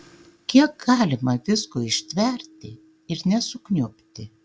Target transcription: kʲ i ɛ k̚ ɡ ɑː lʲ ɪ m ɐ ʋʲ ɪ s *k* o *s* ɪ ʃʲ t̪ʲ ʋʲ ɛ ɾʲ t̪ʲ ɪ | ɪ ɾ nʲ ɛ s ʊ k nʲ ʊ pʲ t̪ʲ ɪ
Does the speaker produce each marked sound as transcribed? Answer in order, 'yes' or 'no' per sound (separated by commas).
yes, no